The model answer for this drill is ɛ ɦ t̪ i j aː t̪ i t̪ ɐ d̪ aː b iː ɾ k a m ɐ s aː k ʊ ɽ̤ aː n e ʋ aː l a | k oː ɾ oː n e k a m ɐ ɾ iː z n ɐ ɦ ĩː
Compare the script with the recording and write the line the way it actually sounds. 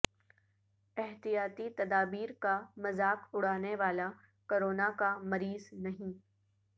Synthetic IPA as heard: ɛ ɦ t̪ i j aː t̪ i t̪ ɐ d̪ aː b iː ɾ k a m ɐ z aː k ʊ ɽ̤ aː n e ʋ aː l a | k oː ɾ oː n a k a m ɐ ɾ iː z n ɐ ɦ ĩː